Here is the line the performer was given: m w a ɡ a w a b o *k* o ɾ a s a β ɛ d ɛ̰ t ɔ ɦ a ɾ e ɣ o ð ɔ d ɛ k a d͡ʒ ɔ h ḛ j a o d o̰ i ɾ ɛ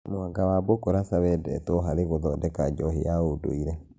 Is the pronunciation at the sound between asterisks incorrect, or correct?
correct